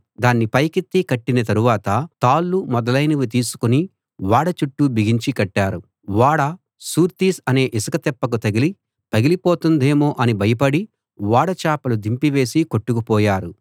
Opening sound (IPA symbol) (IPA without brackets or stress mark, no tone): d̪